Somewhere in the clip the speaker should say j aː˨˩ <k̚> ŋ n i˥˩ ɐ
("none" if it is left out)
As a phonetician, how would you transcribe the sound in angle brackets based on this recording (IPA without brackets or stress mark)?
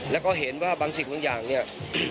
none